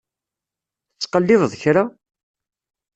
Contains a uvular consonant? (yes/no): yes